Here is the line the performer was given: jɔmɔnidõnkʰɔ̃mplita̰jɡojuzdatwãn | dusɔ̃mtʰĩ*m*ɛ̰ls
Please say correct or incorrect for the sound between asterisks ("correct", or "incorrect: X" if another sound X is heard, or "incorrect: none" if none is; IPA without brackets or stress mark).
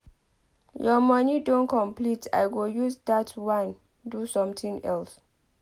incorrect: ŋ